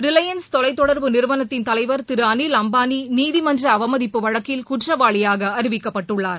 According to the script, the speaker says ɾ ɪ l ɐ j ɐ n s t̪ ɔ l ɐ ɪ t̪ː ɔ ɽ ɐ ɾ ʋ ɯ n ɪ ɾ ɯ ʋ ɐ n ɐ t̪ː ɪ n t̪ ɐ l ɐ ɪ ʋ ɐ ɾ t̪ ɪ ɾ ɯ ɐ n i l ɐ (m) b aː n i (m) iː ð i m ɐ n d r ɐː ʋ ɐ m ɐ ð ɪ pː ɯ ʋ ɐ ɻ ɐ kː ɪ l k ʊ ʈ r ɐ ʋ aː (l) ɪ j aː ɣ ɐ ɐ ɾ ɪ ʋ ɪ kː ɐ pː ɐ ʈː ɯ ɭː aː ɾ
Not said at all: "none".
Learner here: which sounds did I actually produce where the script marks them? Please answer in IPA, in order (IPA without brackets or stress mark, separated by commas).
m, n, ɭ